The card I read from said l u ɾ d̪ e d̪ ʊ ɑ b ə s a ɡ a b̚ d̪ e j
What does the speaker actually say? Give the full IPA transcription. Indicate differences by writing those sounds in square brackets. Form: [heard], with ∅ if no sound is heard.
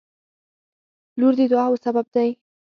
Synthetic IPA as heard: l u ɾ d̪ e d̪ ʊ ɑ [w] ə s a [b] a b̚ d̪ [a] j